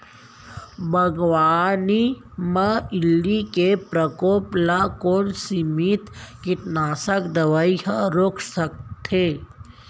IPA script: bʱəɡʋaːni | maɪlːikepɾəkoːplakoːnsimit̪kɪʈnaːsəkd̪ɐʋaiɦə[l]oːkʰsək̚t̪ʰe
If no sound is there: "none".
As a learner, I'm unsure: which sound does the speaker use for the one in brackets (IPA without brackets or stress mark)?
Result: ɾ